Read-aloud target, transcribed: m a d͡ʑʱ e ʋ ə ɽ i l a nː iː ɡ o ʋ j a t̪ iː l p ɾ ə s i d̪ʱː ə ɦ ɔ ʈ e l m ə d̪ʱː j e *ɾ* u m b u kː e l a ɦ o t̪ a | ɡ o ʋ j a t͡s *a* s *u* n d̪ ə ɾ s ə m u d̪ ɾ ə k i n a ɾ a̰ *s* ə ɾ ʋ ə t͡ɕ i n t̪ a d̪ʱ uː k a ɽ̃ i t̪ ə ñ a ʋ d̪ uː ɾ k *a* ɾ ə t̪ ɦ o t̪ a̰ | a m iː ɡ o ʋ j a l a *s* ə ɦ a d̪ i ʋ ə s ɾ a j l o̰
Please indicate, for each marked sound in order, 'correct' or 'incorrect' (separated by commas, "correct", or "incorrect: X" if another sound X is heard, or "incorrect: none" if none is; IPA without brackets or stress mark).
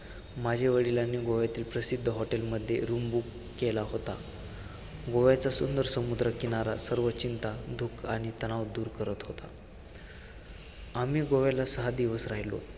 correct, correct, correct, correct, incorrect: ə, correct